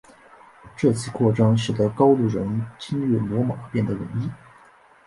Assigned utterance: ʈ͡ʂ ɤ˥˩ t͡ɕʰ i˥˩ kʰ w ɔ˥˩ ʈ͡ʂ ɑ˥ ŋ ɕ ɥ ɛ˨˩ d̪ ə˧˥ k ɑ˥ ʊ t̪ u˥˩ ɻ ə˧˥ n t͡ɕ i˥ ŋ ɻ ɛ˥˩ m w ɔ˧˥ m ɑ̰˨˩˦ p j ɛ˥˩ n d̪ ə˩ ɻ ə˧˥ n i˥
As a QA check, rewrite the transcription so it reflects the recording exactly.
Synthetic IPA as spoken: ʈ͡ʂ ɤ˥˩ t͡ɕʰ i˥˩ kʰ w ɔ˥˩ ʈ͡ʂ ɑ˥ ŋ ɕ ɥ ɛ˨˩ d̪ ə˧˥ k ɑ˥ ʊ t̪ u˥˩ ɻ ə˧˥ n t͡ɕ i˥ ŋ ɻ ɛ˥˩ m w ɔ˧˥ m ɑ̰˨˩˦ p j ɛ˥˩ n d̪ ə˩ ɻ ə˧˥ n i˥